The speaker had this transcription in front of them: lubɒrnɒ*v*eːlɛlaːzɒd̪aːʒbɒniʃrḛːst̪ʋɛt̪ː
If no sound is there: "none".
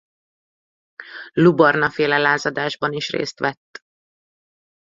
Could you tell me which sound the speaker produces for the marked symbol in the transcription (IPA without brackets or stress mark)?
f